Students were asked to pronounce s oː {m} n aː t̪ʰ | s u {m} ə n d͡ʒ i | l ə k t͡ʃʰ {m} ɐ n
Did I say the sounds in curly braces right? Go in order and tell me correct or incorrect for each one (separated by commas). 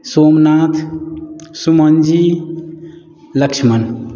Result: correct, correct, correct